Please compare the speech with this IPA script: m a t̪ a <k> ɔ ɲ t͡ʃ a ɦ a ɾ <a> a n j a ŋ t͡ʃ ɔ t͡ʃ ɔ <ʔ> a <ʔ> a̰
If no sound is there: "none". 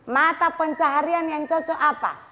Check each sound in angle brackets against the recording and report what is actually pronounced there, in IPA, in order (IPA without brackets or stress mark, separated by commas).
p, i, ʔ, p